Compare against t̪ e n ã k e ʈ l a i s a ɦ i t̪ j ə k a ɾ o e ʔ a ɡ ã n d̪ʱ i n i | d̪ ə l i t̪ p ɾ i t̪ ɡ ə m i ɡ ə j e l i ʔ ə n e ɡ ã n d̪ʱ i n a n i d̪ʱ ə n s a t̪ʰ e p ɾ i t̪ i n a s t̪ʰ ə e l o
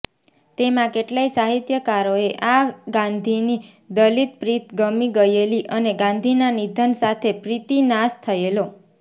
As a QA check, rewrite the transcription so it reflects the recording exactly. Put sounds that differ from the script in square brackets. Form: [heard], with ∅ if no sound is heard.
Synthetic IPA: t̪ e [m] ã k e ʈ l a i s a ɦ i t̪ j ə k a ɾ o e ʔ a ɡ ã n d̪ʱ i n i | d̪ ə l i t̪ p ɾ i t̪ ɡ ə m i ɡ ə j e l i ʔ ə n e ɡ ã n d̪ʱ i n a n i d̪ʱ ə n s a t̪ʰ e p ɾ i t̪ i n a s t̪ʰ ə e l o